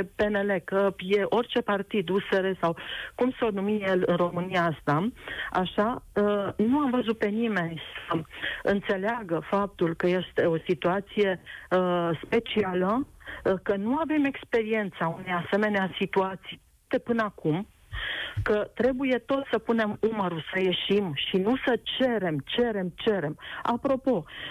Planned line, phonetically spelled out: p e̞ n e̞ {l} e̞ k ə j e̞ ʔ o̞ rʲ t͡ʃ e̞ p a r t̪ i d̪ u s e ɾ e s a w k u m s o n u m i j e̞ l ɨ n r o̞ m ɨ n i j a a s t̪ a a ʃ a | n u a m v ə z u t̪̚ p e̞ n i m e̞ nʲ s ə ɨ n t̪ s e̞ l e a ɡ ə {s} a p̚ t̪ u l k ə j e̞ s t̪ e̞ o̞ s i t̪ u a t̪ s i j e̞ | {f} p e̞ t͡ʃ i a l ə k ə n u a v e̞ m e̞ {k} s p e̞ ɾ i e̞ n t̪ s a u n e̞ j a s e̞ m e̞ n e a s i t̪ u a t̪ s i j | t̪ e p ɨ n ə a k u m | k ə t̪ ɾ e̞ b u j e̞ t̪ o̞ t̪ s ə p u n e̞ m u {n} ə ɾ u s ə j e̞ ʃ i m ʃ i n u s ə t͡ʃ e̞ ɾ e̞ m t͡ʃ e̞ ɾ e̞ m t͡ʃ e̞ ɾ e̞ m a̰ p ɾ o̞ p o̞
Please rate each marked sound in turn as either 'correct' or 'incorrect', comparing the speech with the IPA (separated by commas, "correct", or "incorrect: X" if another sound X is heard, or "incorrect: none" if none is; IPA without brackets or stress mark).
correct, incorrect: f, incorrect: s, correct, incorrect: m